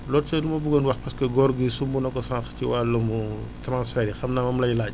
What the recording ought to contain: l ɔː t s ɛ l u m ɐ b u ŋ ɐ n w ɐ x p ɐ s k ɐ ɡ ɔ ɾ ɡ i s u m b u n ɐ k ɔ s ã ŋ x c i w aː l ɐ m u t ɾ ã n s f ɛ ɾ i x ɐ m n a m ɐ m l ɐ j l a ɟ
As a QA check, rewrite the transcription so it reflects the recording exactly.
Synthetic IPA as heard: l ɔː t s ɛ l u m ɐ b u ɡ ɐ n w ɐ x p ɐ s k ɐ ɡ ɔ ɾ ɡ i s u m b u n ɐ k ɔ s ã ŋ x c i w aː l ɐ m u t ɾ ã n s f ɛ ɾ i x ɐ m n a m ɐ m l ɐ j l a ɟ